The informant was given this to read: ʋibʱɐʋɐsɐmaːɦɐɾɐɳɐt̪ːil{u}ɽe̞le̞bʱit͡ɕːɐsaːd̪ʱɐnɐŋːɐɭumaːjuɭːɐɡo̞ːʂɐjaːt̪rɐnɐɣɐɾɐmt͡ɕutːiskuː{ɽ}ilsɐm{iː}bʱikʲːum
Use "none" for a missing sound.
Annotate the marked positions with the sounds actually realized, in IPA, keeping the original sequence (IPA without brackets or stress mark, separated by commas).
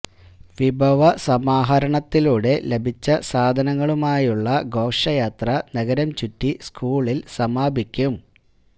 uː, ɭ, aː